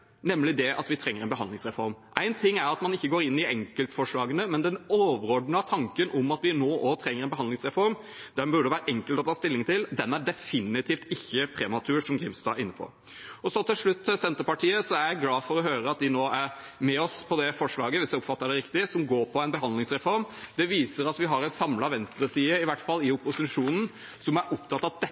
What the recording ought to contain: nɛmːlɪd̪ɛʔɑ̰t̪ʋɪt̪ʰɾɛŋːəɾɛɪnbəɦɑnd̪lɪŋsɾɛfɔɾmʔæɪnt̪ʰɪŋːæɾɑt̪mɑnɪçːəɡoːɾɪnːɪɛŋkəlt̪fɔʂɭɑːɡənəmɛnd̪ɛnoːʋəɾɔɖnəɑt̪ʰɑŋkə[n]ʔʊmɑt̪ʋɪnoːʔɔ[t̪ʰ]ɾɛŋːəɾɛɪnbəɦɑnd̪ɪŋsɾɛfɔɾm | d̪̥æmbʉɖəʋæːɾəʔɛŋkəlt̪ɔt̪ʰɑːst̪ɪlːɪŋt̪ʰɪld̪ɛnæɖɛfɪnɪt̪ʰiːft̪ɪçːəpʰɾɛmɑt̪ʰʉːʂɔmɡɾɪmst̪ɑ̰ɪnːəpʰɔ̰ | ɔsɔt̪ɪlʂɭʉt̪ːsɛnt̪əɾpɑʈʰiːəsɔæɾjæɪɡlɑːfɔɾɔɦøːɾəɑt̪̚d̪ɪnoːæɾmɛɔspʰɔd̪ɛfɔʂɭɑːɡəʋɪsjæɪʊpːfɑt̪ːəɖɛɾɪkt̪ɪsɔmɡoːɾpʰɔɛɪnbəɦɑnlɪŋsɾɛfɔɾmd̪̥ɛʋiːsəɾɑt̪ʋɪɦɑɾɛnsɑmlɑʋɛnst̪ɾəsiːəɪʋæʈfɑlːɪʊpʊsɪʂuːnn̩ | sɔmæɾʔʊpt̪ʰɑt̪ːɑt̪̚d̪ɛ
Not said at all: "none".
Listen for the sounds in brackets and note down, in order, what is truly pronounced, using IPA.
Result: n, t̪ʰ

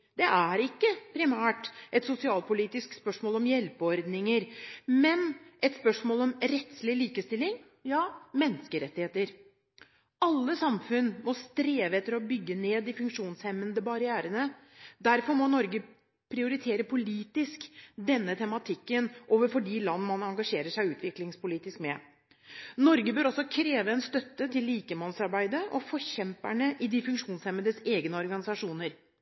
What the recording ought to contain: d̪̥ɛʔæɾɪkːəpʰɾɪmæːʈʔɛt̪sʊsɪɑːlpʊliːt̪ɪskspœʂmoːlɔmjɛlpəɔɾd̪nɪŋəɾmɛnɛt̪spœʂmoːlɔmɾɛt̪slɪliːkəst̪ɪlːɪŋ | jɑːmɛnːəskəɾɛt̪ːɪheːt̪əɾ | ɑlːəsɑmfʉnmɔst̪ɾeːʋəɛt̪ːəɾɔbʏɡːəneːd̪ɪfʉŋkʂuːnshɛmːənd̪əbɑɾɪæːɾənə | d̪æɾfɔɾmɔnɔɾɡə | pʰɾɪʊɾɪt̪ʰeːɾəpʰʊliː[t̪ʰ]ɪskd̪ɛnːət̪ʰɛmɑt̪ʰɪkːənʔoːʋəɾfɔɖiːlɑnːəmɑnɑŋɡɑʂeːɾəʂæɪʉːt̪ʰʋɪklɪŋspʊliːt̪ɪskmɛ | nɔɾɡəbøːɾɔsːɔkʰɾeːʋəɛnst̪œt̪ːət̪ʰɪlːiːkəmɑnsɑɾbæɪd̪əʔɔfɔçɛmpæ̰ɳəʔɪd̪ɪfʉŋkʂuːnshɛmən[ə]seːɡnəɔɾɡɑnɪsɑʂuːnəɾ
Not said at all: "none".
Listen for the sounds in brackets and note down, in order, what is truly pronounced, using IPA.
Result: t̪, ə

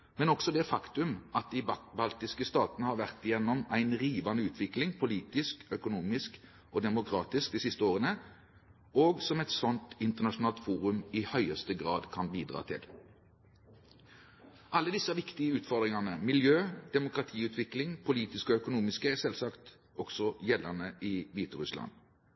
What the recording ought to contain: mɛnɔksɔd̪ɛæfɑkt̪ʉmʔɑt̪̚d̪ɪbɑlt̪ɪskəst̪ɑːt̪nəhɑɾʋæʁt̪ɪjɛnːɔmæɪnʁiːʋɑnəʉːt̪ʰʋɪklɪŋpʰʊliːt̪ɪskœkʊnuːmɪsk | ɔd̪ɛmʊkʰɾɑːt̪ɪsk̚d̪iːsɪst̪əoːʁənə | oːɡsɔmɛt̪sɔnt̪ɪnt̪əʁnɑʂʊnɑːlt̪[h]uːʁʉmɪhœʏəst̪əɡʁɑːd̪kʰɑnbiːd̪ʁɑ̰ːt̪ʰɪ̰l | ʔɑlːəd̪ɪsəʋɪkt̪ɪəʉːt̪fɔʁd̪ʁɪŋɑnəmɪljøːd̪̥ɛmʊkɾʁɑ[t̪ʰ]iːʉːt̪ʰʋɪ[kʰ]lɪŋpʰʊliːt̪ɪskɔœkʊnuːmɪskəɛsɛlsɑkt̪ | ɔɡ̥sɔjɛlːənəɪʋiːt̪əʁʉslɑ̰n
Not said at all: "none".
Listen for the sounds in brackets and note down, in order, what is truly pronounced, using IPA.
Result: f, t̪ʰ, k

